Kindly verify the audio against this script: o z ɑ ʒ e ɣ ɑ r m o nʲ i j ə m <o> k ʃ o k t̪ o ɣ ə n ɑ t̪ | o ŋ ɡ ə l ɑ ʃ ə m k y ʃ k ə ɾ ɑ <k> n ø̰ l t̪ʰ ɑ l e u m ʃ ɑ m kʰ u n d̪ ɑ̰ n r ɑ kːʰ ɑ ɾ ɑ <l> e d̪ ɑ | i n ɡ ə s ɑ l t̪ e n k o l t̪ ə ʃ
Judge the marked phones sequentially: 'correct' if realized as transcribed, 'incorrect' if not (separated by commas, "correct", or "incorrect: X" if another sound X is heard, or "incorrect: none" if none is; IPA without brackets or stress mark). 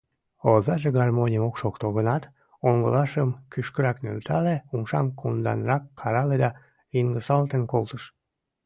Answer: correct, correct, correct